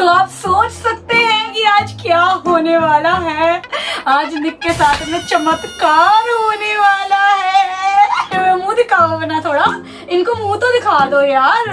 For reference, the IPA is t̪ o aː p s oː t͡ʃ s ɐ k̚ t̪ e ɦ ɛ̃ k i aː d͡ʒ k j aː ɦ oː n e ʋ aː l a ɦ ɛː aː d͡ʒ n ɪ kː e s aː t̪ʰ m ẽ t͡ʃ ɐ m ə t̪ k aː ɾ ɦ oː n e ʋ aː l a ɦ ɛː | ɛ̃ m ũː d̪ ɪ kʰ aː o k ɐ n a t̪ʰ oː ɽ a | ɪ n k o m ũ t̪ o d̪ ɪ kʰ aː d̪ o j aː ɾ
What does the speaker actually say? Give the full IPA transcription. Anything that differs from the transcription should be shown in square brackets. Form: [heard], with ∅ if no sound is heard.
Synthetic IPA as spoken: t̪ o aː p s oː t͡ʃ s ɐ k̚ t̪ e ɦ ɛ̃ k i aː d͡ʒ k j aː ɦ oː n e ʋ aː l a ɦ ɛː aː d͡ʒ n ɪ kː e s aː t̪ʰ m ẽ t͡ʃ ɐ m ə t̪ k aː ɾ ɦ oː n e ʋ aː l a ɦ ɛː | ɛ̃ m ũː d̪ ɪ kʰ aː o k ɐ n a t̪ʰ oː ɽ a | ɪ n k o m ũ t̪ o d̪ ɪ kʰ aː d̪ o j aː ɾ